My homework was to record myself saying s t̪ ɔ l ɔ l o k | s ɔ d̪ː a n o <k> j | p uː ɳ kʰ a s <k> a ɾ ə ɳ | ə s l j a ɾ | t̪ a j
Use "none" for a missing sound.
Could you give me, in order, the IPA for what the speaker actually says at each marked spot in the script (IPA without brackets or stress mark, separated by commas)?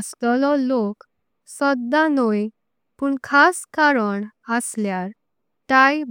none, k